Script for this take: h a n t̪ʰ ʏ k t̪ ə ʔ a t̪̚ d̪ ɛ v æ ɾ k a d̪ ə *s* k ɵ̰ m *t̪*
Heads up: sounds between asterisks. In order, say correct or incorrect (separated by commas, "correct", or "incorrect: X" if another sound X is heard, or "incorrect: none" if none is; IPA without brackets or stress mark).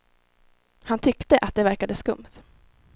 correct, correct